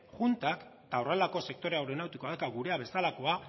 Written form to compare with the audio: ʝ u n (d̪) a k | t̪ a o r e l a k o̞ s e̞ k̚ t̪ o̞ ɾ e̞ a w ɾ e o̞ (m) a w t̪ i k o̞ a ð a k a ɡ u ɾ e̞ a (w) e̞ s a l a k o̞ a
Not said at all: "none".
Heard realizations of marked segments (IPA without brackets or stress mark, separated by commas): t̪, n, β